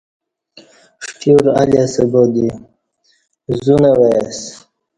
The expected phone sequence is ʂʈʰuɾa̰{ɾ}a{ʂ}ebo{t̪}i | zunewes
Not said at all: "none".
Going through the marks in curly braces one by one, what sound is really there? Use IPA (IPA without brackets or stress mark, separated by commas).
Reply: l, s, d̪